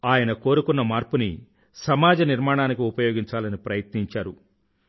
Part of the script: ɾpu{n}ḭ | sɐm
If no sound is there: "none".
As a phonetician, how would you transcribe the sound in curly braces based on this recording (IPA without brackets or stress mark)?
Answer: n